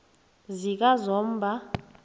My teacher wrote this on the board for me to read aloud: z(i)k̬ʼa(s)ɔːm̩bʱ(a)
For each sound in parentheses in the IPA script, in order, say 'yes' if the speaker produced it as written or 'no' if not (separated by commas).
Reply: yes, no, yes